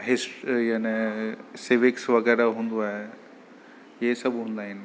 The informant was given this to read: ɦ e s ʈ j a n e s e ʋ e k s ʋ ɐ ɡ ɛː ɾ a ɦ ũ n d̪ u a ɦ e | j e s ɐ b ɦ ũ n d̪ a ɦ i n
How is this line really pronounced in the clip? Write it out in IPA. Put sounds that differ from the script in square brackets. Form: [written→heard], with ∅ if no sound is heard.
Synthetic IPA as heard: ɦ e s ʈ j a n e s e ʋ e k s ʋ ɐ ɡ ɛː ɾ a ɦ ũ n d̪ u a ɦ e | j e s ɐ b ɦ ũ n d̪ a ɦ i n

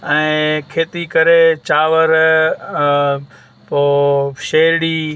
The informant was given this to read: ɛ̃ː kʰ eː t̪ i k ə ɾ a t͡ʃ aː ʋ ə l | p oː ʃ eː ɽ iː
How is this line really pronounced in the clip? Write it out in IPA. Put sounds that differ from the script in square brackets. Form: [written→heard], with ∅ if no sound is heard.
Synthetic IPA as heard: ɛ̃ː kʰ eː t̪ i k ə ɾ [a→e] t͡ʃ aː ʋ ə [l→ɾ] | p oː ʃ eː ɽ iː

